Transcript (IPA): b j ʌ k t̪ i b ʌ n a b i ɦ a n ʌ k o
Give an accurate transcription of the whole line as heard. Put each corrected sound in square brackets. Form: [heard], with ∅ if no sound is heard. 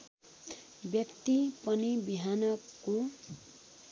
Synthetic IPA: b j ʌ k t̪ i [p] ʌ n [i] b i ɦ a n ʌ k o